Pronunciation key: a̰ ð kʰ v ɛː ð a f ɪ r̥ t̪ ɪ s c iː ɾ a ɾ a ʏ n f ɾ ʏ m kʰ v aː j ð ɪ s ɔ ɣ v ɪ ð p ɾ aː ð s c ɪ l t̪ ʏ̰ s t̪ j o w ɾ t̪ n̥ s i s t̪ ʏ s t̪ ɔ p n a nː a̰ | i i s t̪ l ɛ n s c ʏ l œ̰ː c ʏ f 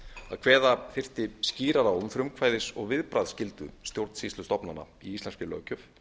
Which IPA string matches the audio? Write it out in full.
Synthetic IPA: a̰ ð kʰ v ɛː ð a f ɪ r̥ t̪ ɪ s c iː ɾ a ɾ a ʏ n f ɾ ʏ m kʰ v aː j ð ɪ s ɔ ɣ v ɪ ð p ɾ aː ð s c ɪ l t̪ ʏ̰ s t̪ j o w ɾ t̪ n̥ s i s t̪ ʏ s t̪ ɔ p n a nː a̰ | i i s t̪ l ɛ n s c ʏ l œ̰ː c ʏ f